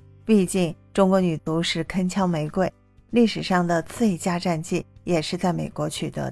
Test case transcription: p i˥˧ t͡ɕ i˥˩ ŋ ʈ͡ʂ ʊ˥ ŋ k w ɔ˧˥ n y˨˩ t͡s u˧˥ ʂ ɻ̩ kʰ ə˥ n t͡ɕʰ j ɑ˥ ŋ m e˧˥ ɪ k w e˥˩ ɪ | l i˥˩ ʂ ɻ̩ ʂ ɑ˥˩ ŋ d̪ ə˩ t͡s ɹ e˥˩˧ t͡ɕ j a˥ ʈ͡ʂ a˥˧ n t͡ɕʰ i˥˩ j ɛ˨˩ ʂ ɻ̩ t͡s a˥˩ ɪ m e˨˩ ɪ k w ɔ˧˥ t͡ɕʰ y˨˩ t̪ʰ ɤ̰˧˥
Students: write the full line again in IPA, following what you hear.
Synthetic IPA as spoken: p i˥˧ t͡ɕ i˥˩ ŋ ʈ͡ʂ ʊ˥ ŋ k w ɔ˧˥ n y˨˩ t͡s u˧˥ ʂ ɻ̩ kʰ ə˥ n t͡ɕʰ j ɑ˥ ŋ m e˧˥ ɪ k w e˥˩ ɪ | l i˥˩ ʂ ɻ̩ ʂ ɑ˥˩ ŋ d̪ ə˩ t͡s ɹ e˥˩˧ t͡ɕ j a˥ ʈ͡ʂ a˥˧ n t͡ɕ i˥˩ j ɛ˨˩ ʂ ɻ̩ t͡s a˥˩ ɪ m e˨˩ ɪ k w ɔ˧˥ t͡ɕʰ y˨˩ t̪ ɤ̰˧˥